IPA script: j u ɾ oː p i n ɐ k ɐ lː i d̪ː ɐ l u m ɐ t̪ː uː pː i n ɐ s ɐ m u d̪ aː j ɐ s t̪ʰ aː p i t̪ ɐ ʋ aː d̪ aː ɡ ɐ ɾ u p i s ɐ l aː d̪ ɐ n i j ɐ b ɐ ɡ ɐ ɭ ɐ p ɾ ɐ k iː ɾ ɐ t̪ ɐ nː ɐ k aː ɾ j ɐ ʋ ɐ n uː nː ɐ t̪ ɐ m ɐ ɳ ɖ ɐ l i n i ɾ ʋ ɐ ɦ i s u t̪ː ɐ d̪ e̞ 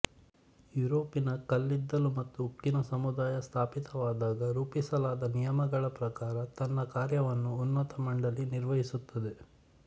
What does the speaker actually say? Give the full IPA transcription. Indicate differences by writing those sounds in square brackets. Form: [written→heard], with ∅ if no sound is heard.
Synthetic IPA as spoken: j u ɾ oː p i n ɐ k ɐ lː i d̪ː ɐ l u m ɐ t̪ː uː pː i n ɐ s ɐ m u d̪ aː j ɐ s t̪ʰ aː p i t̪ ɐ ʋ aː d̪ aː ɡ ɐ ɾ [u→uː] p i s ɐ l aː d̪ ɐ n i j ɐ [b→m] ɐ ɡ ɐ ɭ ɐ p ɾ ɐ k [iː→aː] ɾ ɐ t̪ ɐ nː ɐ k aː ɾ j ɐ ʋ ɐ [n→nː] uː nː ɐ t̪ ɐ m ɐ ɳ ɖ ɐ l i n i ɾ ʋ ɐ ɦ i s u t̪ː ɐ d̪ e̞